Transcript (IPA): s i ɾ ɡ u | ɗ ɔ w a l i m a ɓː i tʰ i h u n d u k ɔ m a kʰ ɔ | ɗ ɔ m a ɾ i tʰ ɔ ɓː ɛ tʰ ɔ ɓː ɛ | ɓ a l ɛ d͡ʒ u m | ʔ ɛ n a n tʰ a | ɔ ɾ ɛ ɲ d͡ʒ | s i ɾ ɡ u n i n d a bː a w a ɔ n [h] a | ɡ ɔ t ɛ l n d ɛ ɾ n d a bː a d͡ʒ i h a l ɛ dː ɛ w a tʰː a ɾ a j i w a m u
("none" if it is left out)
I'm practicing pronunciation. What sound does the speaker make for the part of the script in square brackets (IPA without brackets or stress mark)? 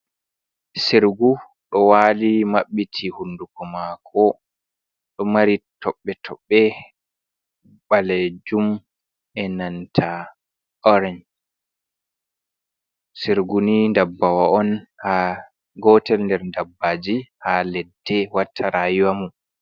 h